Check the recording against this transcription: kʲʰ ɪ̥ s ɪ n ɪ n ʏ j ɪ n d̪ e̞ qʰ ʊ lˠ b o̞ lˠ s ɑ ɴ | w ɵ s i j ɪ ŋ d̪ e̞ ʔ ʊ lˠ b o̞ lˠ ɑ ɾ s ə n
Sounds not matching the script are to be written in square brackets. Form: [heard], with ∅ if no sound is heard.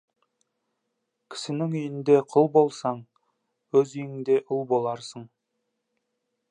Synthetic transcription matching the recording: kʲʰ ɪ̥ s ɪ n ɪ [ŋ] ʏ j ɪ n d̪ e̞ qʰ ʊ lˠ b o̞ lˠ s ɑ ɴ | w ɵ [z] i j ɪ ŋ d̪ e̞ ʔ ʊ lˠ b o̞ lˠ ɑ ɾ s ə [ɴ]